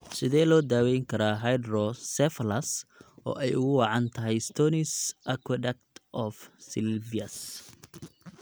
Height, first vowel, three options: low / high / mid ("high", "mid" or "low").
high